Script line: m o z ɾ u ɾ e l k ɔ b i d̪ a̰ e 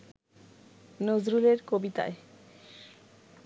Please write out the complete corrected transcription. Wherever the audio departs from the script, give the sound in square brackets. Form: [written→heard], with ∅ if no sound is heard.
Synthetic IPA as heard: [m→n] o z ɾ u [ɾ→l] e [l→ɾ] k [ɔ→o] b i [d̪→t̪] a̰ e